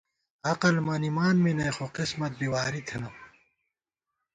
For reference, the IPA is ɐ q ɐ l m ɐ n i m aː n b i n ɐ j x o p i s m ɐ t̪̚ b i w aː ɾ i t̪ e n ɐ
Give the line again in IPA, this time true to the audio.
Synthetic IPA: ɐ q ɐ l m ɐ n i m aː n m i n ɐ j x o q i s m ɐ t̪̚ b i w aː ɾ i t̪ʰ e n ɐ